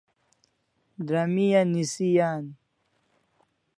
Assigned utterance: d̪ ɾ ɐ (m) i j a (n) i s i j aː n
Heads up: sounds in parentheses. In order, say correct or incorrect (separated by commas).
correct, correct